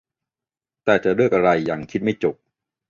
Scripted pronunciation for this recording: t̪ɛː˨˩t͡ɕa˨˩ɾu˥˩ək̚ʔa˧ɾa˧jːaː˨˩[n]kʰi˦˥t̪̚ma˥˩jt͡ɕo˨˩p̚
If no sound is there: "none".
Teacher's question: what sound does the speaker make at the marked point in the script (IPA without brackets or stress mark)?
ŋ